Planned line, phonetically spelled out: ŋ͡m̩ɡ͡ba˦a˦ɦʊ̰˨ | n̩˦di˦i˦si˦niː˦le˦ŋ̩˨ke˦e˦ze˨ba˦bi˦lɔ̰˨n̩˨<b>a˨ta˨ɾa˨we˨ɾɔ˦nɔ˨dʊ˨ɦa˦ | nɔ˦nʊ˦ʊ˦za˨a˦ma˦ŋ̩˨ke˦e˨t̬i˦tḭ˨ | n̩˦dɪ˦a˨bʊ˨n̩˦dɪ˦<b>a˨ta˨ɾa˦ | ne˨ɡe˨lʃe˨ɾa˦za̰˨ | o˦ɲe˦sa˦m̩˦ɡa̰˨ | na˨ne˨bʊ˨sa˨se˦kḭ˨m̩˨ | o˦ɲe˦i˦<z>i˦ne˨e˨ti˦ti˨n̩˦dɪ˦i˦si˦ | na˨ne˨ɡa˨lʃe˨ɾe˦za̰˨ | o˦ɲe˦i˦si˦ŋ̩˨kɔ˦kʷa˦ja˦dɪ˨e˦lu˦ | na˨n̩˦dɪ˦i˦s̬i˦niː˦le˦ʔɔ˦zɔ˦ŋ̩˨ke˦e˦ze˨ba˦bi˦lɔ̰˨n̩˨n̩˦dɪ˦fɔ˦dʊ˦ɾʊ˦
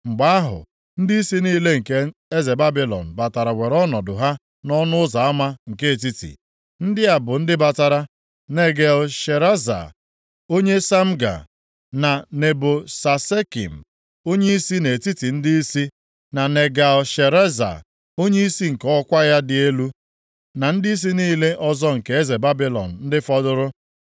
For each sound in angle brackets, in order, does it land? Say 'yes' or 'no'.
yes, yes, no

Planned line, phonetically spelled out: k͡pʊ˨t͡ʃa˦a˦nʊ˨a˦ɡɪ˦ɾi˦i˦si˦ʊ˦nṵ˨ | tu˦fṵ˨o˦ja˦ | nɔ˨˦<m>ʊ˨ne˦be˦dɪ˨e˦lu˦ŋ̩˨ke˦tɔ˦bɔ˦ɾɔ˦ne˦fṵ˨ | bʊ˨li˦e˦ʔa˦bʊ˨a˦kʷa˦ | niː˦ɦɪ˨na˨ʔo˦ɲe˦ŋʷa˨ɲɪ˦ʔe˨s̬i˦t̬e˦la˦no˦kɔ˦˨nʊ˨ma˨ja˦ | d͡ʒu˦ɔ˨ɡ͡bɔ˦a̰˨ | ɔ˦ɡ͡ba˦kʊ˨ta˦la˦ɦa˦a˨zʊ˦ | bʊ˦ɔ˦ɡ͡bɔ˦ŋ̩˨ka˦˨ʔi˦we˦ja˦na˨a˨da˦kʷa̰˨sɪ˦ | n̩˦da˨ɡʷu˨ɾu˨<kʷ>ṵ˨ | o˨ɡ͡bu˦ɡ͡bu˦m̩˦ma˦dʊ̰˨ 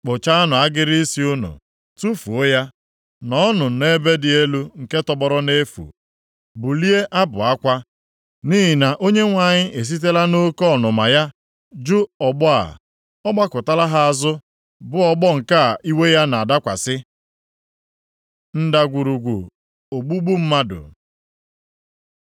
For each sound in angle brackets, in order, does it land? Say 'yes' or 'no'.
no, no

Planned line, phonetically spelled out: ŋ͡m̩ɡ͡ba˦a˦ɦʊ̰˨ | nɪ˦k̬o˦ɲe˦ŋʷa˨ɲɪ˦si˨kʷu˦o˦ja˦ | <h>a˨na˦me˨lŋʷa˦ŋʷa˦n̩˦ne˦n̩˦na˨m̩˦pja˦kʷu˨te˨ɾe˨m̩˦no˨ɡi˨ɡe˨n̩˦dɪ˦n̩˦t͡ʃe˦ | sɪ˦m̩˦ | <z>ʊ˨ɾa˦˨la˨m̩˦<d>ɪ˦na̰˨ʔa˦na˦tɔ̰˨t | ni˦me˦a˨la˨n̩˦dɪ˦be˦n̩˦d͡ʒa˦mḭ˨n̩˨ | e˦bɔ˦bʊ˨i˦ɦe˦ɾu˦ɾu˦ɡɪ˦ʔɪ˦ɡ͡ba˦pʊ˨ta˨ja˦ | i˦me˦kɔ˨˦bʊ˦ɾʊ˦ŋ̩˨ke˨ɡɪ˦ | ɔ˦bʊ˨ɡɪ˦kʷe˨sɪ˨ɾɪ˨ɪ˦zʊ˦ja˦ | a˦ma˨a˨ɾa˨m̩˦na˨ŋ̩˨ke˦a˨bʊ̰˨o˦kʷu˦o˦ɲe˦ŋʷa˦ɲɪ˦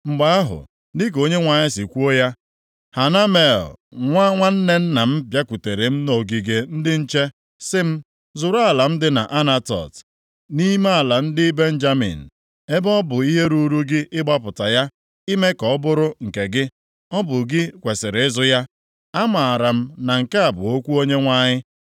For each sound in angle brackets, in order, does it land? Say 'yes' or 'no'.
yes, yes, yes

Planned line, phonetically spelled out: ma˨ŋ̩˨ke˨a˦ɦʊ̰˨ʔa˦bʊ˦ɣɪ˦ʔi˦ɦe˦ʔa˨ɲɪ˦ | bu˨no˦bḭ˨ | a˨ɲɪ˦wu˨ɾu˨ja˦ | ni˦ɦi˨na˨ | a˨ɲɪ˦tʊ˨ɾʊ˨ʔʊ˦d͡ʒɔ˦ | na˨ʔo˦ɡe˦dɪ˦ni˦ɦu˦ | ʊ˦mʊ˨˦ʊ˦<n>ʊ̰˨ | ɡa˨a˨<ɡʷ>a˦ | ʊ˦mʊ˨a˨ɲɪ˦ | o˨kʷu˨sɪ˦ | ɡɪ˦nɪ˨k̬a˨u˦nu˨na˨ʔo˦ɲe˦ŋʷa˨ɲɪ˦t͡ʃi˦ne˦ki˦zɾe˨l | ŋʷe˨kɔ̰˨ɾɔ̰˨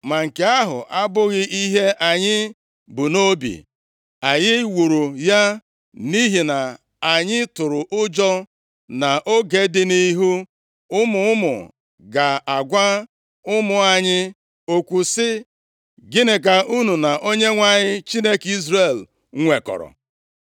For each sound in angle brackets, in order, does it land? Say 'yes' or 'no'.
no, yes

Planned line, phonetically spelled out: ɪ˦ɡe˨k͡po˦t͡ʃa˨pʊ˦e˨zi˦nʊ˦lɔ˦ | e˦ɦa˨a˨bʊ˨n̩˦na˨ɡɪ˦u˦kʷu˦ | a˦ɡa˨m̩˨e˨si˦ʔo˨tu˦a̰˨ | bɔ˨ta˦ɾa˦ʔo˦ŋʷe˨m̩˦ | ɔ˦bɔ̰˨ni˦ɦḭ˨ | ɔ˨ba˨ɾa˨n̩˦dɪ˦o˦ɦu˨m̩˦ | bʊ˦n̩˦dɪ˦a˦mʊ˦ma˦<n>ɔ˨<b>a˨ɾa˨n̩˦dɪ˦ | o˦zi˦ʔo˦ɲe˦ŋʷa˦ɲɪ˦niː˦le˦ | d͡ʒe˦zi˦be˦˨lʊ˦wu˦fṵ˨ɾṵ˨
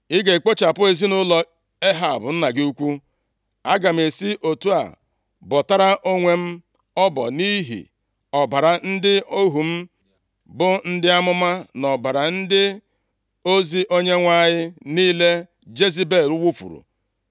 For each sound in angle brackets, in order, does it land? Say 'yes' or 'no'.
yes, yes

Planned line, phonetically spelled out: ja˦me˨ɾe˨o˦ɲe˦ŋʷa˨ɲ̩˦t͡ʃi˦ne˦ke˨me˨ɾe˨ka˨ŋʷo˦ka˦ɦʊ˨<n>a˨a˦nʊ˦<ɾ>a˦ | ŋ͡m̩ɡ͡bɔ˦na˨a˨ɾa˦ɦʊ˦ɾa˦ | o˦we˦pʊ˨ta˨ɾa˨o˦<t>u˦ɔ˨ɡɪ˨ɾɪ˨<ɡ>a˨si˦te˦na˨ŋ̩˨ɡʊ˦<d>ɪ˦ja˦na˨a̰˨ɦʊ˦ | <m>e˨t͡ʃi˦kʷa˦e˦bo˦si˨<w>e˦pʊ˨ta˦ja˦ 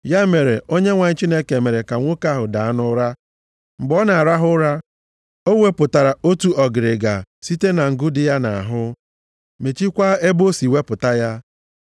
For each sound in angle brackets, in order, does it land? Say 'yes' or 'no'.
no, yes, yes, yes, yes, yes, yes

